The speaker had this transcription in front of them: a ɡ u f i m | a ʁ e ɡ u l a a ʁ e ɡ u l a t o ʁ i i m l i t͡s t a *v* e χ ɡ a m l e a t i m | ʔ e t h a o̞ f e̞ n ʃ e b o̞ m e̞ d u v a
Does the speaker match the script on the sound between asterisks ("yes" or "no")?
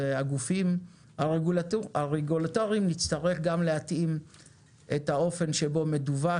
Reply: no